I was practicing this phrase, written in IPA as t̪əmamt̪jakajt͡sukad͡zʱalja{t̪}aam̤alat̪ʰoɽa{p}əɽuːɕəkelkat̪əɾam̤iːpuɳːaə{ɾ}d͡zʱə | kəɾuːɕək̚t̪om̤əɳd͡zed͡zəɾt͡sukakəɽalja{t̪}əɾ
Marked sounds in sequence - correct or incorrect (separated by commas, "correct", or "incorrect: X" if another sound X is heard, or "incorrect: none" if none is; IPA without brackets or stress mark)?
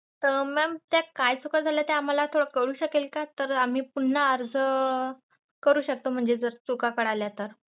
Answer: correct, incorrect: k, correct, correct